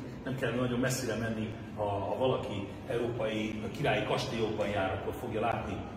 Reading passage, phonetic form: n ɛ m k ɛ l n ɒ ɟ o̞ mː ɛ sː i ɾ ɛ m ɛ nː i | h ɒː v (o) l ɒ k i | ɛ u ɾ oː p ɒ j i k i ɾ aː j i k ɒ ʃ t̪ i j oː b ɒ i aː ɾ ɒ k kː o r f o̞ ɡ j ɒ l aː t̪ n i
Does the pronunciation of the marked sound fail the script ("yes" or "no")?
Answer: yes